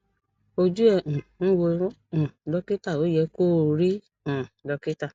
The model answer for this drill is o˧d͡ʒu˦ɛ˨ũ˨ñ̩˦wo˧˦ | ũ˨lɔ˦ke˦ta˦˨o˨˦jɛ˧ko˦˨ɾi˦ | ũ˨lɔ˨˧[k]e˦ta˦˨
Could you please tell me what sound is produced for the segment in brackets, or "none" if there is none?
k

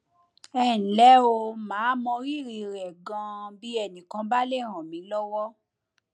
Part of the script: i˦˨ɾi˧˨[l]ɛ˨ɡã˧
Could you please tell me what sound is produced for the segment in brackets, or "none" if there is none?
ɾ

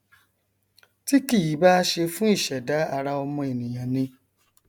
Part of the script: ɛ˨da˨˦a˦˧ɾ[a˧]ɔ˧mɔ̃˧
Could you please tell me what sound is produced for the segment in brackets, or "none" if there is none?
a˧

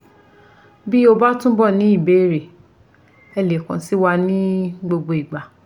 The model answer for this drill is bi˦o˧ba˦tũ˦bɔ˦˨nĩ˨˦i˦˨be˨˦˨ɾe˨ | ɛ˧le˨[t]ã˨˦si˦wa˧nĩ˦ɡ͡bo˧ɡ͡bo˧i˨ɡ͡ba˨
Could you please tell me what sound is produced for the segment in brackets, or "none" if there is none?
k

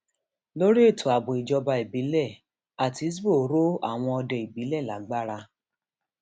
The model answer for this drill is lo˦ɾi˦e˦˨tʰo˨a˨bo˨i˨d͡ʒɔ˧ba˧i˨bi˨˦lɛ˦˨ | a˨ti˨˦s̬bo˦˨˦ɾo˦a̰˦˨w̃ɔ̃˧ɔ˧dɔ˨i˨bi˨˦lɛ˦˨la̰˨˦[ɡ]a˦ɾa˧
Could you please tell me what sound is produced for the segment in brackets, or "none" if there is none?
ɡ͡b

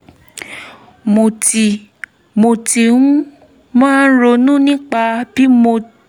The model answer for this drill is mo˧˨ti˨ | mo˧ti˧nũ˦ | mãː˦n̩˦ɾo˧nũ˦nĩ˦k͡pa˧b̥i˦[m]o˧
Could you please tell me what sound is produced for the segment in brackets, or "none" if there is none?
m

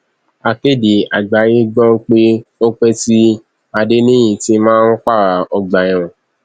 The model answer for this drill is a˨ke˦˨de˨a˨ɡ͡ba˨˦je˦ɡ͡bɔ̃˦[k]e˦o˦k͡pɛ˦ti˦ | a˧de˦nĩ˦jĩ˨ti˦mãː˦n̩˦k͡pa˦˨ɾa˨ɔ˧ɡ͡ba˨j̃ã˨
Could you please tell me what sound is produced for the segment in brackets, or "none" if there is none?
k͡p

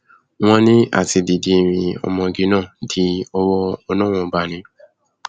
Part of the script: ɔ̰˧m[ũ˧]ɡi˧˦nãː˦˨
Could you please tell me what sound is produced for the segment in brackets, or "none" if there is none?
ɔ̃˧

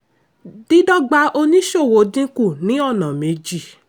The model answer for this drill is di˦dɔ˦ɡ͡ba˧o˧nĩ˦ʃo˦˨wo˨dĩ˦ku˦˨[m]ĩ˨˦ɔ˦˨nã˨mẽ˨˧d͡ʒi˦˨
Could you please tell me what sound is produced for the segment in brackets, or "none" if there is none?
n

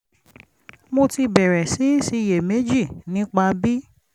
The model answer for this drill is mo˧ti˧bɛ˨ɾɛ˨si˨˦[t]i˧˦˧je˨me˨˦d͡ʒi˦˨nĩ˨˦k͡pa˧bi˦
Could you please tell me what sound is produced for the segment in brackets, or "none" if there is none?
s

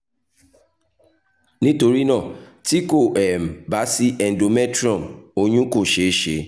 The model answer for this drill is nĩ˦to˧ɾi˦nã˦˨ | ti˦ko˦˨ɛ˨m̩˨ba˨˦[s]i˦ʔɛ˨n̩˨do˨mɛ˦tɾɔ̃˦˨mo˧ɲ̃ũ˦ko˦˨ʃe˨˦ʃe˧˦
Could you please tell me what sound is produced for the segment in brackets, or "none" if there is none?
s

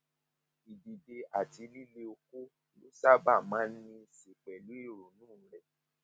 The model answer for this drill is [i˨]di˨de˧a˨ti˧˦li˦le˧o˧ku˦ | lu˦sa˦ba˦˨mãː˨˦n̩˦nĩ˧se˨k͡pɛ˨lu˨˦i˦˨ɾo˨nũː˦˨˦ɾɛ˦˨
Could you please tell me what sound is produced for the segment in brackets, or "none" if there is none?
i˨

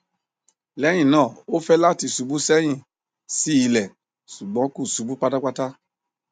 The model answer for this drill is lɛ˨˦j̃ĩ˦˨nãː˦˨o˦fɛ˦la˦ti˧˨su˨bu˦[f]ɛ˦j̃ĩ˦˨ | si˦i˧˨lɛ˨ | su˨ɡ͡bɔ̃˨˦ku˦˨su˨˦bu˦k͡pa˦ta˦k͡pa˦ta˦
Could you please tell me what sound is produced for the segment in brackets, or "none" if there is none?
s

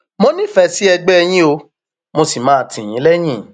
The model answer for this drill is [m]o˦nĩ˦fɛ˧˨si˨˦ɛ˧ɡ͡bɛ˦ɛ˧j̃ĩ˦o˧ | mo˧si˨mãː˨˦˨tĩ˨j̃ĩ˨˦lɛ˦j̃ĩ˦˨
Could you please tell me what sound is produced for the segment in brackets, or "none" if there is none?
m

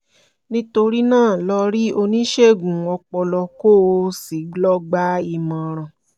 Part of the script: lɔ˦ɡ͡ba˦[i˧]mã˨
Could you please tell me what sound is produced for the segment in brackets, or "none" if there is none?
i˧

